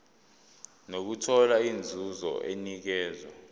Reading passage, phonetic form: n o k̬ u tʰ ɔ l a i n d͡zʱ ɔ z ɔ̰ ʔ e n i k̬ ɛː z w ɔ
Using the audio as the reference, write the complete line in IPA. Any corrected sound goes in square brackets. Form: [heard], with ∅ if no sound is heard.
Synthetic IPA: n o k̬ u tʰ ɔ l a i n d͡zʱ [u] z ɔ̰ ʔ e n i k̬ ɛː z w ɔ